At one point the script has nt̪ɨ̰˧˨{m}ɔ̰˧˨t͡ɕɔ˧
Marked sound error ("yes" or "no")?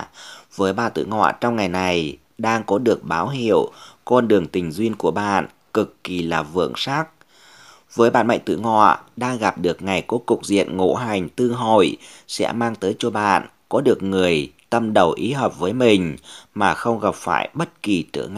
yes